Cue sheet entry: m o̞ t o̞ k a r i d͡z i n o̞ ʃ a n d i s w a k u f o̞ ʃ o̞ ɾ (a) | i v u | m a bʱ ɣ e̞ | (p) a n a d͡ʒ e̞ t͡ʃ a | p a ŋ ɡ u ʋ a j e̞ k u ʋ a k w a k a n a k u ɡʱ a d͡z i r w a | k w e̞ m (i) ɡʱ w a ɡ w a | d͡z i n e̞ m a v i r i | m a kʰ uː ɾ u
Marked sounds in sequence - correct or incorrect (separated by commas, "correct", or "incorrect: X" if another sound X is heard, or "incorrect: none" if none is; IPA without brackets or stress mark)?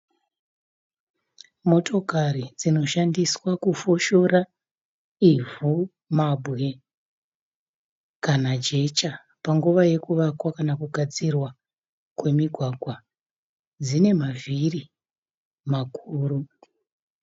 correct, incorrect: k, correct